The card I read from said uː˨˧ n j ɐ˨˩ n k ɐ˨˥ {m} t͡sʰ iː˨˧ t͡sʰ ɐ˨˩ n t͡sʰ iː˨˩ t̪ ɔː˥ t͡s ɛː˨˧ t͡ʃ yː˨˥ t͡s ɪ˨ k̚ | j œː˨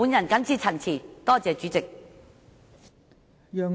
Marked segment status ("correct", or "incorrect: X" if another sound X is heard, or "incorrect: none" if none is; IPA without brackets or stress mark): incorrect: n